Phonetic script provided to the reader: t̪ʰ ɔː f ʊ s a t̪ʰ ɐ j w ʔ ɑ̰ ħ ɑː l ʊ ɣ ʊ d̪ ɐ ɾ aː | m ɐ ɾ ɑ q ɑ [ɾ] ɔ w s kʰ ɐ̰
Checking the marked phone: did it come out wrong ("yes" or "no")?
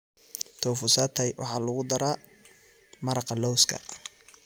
yes